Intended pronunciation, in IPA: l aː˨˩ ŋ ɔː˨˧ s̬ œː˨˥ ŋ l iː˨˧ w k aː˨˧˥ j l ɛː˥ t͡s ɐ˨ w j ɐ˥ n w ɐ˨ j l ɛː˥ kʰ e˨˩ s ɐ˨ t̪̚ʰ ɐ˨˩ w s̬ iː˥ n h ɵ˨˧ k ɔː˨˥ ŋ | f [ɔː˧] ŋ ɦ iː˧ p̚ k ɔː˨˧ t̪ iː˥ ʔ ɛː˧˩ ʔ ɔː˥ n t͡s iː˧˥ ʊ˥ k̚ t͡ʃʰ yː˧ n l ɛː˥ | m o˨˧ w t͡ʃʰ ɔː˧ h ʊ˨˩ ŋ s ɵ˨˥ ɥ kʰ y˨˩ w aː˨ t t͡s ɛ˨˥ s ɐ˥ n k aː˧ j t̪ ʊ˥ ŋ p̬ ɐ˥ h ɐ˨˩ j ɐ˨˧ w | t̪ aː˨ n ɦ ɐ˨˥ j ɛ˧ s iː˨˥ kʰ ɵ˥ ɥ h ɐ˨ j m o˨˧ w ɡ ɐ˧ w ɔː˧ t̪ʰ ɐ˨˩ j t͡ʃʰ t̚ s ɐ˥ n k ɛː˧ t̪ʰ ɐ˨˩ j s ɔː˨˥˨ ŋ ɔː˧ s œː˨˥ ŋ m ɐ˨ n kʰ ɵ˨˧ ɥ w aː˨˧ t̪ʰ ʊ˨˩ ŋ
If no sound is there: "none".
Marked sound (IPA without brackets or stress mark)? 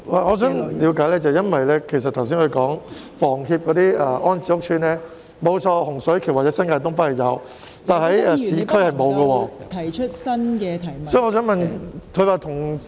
ɔː˨˩